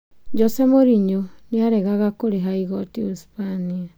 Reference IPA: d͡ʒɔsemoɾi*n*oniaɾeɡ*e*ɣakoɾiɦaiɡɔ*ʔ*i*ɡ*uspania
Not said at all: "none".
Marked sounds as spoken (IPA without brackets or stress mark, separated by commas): ɲ, a, t, none